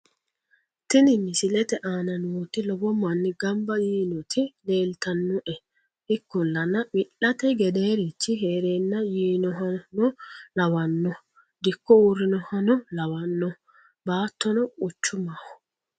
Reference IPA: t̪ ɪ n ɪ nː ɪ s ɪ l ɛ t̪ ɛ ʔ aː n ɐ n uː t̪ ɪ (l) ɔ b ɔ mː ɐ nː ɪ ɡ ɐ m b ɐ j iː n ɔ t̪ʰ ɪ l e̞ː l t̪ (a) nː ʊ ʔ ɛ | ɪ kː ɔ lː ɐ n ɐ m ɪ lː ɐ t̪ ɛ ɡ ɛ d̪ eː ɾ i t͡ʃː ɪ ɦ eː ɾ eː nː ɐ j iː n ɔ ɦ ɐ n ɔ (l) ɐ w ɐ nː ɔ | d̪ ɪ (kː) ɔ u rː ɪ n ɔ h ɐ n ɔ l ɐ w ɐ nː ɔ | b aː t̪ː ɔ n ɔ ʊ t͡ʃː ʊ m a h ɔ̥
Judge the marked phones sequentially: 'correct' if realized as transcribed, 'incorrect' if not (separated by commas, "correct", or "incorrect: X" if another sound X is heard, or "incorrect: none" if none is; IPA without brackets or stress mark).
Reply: correct, incorrect: ɐ, correct, correct